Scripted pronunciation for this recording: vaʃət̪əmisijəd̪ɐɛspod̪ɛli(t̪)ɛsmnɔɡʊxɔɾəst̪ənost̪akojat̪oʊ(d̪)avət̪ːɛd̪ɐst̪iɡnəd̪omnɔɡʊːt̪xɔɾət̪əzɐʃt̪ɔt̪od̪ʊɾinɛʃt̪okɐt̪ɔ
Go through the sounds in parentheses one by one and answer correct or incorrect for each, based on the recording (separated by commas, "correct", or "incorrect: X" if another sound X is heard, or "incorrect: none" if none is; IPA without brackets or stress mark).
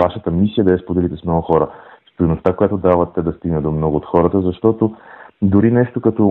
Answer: correct, correct